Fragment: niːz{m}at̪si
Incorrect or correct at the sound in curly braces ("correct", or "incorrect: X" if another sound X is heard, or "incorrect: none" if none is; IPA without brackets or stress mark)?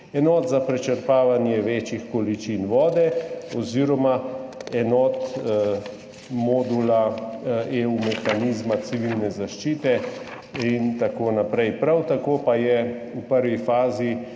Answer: correct